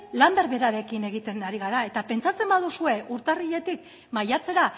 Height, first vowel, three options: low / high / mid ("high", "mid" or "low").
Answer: low